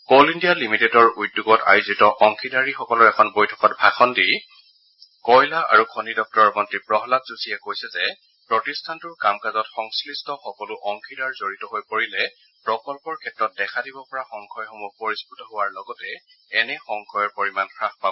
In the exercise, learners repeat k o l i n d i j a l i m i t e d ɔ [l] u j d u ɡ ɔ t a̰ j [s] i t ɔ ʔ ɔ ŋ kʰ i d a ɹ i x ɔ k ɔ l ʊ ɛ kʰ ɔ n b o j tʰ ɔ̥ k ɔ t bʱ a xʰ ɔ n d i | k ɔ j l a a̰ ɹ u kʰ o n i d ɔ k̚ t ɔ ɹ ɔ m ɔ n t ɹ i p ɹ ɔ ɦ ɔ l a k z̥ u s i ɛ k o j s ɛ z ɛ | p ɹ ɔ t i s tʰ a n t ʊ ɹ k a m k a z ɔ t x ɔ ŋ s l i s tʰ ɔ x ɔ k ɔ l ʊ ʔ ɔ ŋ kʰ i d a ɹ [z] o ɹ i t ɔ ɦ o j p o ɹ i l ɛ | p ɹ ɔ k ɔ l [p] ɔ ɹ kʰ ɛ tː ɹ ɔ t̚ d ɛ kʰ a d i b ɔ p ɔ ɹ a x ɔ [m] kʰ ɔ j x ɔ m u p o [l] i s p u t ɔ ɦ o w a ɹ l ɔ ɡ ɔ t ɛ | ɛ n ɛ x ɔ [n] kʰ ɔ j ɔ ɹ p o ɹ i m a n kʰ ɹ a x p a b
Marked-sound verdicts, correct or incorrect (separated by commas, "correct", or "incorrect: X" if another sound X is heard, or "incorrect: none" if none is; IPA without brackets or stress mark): incorrect: ɹ, incorrect: z, correct, correct, incorrect: ŋ, incorrect: ɹ, incorrect: ŋ